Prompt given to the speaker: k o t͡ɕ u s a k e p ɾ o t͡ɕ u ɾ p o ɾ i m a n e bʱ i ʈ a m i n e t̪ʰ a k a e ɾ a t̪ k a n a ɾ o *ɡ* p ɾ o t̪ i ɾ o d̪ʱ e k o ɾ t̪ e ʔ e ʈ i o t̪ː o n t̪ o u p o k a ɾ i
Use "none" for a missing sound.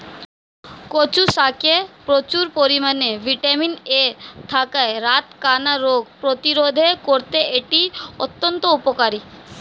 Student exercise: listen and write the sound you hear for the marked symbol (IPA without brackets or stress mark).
ɡ